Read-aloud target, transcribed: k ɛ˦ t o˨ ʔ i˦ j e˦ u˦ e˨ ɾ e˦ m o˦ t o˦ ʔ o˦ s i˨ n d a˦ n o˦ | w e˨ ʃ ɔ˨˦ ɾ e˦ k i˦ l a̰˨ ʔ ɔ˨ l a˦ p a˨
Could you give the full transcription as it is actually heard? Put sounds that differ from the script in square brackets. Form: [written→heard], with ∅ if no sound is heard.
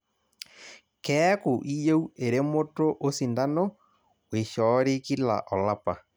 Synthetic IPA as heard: k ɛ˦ [t→k] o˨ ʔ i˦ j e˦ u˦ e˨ ɾ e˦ m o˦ t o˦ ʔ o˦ s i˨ n d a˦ n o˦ | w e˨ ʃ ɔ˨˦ ɾ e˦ k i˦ l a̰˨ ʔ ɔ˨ l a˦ p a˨

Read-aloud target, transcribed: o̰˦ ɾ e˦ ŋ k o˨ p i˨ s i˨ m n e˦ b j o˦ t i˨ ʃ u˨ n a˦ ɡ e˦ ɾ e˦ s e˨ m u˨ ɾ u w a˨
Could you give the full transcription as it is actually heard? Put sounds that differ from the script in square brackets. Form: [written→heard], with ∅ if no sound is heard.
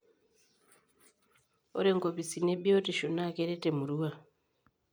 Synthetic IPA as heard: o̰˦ ɾ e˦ ŋ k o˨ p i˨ s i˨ [m→∅] n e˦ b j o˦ t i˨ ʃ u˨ n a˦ [ɡ→k] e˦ ɾ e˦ [s→t] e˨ m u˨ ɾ u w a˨

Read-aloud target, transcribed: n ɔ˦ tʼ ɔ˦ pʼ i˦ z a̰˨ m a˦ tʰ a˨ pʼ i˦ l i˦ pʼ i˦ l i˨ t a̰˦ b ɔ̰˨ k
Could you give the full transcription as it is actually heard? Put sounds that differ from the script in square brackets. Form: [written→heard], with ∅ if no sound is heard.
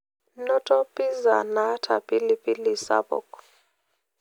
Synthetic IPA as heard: n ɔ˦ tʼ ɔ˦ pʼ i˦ z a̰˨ [m→n] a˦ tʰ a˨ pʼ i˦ l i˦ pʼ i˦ l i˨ [t→s] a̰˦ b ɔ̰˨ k

